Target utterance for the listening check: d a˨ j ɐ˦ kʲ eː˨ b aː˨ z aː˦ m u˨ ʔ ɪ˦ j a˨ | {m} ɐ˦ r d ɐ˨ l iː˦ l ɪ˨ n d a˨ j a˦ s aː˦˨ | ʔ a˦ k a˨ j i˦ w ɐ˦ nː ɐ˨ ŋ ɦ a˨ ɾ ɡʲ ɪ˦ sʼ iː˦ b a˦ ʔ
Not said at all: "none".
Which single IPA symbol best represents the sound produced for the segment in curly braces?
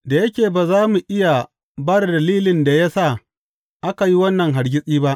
b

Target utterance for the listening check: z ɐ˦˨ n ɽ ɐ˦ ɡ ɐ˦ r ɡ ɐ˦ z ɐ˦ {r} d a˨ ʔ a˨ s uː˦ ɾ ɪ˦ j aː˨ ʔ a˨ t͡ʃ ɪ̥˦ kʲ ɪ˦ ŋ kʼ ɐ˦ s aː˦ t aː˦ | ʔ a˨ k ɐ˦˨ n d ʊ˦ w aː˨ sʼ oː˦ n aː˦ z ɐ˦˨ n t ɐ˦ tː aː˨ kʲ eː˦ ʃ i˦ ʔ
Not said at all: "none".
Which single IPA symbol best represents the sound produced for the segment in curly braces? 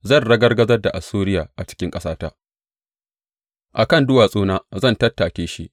r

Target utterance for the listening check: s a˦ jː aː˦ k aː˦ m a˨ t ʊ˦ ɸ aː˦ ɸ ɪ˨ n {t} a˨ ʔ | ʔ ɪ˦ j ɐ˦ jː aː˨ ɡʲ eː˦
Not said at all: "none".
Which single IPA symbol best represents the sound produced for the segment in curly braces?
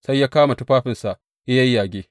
s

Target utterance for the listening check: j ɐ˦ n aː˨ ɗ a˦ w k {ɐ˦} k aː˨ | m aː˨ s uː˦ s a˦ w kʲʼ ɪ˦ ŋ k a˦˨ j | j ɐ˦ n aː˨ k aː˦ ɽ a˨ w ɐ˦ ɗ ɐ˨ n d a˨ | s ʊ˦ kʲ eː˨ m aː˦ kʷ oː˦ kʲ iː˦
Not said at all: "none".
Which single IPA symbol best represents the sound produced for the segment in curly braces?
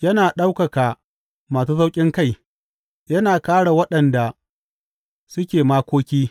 ɐ˨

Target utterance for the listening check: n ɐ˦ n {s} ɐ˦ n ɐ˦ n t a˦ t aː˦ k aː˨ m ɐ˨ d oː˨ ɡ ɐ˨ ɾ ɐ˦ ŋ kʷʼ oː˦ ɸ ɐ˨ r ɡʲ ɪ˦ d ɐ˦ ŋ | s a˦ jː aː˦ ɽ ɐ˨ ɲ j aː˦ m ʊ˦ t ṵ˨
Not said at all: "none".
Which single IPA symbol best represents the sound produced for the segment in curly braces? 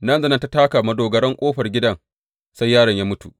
z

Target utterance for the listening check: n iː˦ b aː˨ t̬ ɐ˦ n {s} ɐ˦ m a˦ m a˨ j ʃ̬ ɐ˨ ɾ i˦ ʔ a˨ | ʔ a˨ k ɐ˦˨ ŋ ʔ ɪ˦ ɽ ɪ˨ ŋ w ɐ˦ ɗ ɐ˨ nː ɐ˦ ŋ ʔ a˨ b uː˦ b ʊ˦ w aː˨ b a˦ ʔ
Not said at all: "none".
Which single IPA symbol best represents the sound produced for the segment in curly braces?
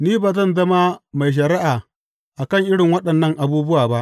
z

